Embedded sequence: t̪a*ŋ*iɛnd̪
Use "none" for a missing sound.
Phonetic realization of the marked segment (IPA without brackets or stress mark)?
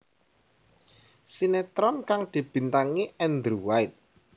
ŋ